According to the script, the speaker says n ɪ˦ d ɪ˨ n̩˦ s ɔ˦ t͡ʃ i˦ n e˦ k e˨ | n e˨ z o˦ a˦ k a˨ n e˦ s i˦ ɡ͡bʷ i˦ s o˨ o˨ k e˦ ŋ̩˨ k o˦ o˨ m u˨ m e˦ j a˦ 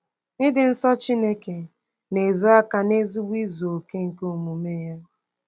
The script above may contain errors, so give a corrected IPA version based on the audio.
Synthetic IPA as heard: n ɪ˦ d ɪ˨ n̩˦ s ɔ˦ t͡ʃ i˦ n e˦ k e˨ | n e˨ z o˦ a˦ k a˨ n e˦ z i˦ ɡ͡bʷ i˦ z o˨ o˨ k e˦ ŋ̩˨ k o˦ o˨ m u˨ m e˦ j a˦